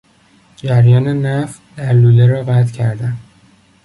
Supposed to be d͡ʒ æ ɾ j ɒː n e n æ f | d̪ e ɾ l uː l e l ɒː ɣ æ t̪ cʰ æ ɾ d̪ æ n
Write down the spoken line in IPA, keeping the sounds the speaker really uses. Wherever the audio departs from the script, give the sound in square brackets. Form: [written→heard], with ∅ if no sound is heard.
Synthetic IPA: d͡ʒ æ ɾ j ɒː n e n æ f | d̪ [e→æ] ɾ l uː l e [l→ɾ] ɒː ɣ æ t̪ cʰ æ ɾ d̪ æ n